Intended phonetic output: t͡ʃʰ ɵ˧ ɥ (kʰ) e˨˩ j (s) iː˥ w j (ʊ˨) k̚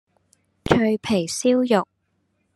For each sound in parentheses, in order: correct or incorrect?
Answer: incorrect, correct, correct

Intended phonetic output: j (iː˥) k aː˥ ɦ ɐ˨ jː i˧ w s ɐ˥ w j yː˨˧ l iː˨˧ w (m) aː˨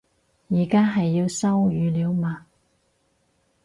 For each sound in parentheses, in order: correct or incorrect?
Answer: incorrect, correct

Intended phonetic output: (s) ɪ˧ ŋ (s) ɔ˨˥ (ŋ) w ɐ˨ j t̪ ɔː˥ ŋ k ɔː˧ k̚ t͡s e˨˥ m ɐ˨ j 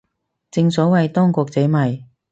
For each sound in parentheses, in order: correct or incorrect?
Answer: incorrect, correct, incorrect

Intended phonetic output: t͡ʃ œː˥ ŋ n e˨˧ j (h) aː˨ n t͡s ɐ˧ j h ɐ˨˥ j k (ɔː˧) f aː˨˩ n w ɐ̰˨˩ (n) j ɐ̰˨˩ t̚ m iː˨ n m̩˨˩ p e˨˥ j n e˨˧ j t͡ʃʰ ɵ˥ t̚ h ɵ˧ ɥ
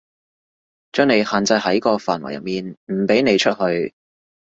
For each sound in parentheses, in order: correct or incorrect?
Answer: correct, correct, incorrect

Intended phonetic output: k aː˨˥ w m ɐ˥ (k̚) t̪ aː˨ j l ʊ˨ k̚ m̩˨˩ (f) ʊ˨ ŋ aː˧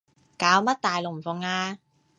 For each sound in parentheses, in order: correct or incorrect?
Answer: incorrect, correct

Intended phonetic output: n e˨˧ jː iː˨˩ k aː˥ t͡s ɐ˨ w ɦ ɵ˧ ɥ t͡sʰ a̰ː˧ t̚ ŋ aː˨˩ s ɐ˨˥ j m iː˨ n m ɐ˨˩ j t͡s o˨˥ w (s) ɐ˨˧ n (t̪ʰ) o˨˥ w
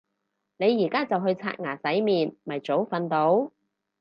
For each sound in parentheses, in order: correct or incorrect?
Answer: incorrect, incorrect

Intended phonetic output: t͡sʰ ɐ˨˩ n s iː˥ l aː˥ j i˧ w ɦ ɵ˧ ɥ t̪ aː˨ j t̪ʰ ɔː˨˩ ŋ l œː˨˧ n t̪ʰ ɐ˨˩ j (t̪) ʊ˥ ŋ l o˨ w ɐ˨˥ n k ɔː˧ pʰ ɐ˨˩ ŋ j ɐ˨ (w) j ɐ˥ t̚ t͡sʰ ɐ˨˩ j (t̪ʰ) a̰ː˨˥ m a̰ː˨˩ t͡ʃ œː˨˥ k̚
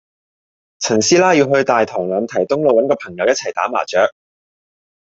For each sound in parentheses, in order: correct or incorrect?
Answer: correct, correct, incorrect

